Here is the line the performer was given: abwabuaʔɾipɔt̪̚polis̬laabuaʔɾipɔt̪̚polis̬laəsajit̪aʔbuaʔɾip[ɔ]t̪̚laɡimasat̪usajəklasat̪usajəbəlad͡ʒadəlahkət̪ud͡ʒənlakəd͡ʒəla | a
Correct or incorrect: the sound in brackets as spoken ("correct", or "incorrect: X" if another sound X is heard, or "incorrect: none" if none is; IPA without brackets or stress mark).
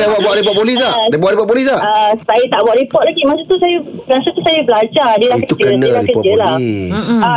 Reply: correct